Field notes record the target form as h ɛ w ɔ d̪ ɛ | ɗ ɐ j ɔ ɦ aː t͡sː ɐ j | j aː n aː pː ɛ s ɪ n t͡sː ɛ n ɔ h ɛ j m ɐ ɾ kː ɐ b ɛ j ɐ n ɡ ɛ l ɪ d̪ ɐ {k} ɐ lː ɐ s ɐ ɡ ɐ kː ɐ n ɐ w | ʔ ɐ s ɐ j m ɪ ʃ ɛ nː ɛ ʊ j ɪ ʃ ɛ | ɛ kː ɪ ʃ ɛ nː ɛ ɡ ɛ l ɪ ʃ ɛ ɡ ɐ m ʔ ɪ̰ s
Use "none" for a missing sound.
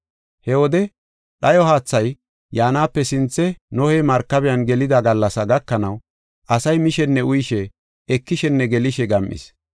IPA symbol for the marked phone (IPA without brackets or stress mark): ɡ